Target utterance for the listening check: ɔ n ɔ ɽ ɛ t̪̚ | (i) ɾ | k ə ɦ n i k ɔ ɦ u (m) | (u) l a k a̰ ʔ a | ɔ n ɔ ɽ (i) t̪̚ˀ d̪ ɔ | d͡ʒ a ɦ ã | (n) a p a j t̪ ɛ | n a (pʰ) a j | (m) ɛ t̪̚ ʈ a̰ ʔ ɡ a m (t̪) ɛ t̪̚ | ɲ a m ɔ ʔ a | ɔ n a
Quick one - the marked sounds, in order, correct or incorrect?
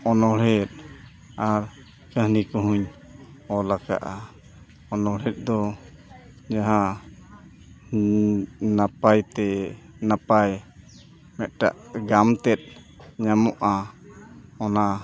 incorrect, incorrect, incorrect, incorrect, correct, incorrect, correct, correct

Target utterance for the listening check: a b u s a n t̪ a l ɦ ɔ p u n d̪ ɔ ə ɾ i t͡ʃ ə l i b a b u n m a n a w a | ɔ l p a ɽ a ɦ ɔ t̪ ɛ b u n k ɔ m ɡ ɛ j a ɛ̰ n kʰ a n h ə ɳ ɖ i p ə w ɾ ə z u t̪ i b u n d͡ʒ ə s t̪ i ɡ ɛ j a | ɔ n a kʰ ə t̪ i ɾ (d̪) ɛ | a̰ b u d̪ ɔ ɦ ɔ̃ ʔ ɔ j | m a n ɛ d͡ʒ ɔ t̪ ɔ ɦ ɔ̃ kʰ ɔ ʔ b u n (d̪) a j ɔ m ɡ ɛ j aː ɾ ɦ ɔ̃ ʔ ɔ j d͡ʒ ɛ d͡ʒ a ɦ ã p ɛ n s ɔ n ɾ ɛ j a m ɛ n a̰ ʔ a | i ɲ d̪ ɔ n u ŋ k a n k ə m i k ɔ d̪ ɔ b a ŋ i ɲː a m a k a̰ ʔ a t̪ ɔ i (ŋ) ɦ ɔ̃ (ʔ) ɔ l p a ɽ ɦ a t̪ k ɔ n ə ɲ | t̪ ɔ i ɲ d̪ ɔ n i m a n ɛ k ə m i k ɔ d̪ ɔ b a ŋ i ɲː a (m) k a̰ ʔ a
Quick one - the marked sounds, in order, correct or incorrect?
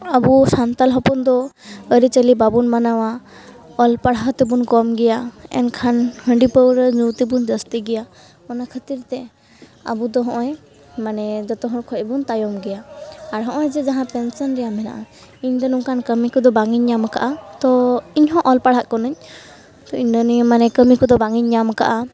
incorrect, incorrect, incorrect, correct, correct

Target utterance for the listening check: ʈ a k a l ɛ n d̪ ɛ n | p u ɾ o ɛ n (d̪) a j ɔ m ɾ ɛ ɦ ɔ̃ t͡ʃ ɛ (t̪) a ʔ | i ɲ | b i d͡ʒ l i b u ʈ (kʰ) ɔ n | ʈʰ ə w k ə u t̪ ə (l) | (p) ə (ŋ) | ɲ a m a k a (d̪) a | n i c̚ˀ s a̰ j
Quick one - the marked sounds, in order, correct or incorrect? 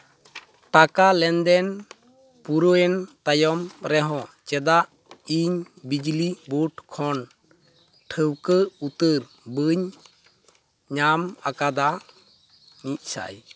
incorrect, incorrect, correct, incorrect, incorrect, incorrect, correct

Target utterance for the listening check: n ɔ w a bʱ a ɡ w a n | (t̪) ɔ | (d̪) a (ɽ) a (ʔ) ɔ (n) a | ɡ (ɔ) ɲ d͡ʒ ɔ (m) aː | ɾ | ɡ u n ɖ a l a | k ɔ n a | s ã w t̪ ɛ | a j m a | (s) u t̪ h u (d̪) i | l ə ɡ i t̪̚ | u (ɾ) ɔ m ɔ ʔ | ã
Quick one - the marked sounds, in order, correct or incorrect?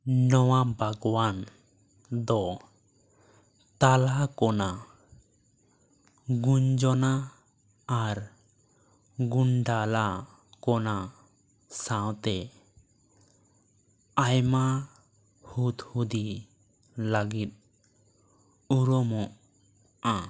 incorrect, incorrect, incorrect, incorrect, correct, incorrect, incorrect, incorrect, correct, correct

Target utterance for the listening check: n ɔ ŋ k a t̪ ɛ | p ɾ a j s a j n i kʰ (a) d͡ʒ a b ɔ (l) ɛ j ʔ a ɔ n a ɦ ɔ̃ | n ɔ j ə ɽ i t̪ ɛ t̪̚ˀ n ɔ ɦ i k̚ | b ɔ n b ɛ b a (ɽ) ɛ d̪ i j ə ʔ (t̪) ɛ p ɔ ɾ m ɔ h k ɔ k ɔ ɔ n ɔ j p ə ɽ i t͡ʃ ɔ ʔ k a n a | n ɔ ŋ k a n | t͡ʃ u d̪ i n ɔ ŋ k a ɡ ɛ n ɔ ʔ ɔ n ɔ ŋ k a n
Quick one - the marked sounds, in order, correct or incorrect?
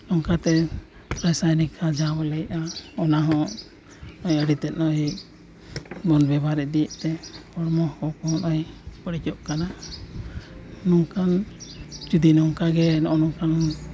correct, correct, incorrect, correct

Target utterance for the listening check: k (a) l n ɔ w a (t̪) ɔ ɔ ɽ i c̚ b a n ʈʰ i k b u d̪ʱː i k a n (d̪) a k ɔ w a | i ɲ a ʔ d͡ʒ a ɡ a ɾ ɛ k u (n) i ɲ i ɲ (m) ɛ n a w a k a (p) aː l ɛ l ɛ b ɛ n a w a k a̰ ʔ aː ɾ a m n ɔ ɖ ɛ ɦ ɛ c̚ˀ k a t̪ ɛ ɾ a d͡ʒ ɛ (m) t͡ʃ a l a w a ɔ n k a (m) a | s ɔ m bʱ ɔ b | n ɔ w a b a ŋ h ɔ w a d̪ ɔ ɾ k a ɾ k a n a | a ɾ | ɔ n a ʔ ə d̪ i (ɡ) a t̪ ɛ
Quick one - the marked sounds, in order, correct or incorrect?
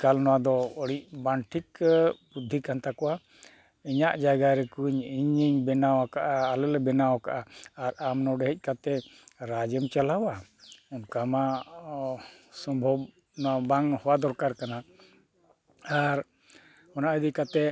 correct, incorrect, incorrect, incorrect, incorrect, incorrect, correct, correct, incorrect

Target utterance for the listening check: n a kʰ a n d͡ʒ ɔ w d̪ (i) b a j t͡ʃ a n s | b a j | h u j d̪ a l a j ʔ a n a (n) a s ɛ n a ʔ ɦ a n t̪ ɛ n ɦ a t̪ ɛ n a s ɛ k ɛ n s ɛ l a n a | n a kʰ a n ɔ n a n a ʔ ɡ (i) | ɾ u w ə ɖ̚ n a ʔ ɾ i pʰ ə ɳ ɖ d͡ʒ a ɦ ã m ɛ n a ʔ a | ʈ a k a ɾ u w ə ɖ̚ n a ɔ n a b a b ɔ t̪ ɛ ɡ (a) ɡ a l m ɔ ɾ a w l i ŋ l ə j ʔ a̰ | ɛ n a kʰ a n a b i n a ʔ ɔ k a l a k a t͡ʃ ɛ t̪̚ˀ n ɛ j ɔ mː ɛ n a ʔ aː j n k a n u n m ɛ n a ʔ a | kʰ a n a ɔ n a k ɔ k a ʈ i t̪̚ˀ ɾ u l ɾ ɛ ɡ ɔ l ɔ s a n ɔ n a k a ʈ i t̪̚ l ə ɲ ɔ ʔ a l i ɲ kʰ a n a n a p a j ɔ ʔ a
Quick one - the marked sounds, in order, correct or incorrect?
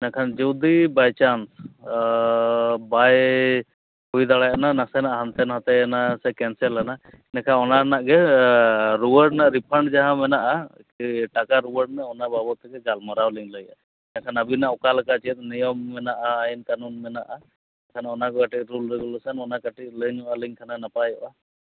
correct, correct, incorrect, incorrect

